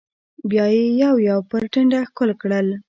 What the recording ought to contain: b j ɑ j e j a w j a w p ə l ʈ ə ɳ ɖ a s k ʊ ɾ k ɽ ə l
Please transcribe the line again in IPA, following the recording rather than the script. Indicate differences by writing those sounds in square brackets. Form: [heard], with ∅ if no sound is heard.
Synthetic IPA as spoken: b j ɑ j e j a w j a w p ə [ɾ] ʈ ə ɳ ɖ a [x] k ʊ [l] k ɽ ə l